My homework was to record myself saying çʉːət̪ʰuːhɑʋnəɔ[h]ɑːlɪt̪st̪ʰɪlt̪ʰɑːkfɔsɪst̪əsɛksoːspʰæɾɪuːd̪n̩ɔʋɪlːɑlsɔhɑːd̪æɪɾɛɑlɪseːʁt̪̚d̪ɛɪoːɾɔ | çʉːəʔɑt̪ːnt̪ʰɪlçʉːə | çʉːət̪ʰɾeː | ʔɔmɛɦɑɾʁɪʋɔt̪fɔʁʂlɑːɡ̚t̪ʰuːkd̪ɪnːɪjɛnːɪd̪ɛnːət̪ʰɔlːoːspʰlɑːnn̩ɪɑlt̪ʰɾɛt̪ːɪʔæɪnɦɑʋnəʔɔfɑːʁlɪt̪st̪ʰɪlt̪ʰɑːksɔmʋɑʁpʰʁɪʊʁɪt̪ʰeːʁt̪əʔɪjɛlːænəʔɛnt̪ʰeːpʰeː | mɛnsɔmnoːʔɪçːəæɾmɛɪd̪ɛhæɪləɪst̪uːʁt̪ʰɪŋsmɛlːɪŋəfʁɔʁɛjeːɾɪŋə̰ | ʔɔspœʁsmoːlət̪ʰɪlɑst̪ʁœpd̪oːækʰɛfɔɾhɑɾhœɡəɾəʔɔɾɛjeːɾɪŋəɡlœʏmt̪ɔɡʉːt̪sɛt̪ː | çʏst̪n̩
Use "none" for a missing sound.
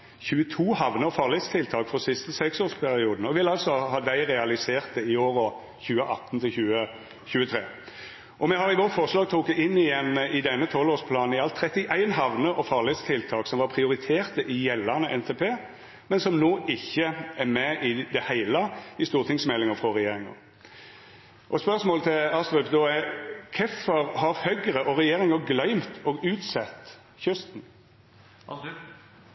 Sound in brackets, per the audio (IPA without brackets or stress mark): f